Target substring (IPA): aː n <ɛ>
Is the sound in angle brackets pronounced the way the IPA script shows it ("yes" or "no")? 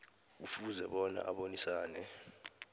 yes